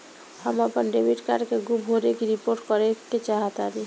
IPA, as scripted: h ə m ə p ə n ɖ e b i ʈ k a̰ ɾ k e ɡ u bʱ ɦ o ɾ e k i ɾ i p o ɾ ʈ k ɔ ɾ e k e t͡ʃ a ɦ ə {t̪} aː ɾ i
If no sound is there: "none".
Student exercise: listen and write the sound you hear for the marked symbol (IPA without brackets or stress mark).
t̪